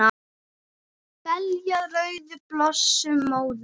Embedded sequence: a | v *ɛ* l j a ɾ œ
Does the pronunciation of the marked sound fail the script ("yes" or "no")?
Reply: no